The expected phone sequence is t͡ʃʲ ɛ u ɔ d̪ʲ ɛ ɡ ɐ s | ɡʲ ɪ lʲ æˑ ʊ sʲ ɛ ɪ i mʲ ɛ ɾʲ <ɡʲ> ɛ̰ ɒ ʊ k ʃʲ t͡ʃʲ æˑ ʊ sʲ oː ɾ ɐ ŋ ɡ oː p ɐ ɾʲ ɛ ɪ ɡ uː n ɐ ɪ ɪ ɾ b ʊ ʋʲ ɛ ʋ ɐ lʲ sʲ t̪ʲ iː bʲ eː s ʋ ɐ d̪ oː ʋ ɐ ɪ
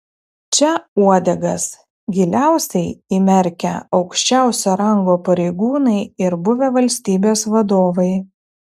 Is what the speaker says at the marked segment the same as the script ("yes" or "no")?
no